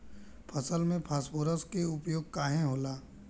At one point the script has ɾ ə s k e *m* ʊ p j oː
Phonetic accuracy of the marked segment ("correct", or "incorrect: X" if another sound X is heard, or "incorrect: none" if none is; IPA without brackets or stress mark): incorrect: none